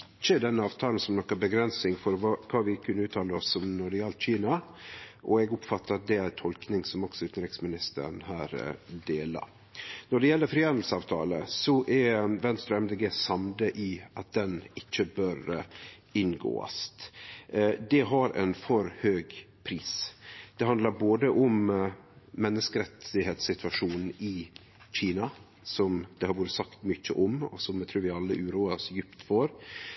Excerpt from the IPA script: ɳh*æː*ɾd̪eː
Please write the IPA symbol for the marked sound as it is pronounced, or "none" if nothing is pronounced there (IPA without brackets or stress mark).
æː